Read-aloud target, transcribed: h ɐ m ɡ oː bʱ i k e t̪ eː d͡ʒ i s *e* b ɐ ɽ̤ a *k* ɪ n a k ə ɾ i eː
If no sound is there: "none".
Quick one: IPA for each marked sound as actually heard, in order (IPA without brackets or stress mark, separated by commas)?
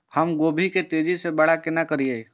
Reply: e, k